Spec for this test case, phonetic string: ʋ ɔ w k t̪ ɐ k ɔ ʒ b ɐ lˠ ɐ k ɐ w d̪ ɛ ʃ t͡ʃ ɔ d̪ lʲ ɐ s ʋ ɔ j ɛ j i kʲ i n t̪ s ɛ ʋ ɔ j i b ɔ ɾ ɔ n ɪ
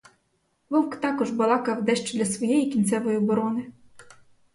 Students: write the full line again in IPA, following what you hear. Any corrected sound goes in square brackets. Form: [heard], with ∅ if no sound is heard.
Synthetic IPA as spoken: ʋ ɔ w k t̪ [ɑ] k ɔ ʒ b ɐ lˠ [ɑ] k ɐ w d̪ ɛ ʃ t͡ʃ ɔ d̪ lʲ ɐ s ʋ ɔ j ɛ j i kʲ i n t̪ s ɛ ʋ ɔ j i b ɔ ɾ ɔ n ɪ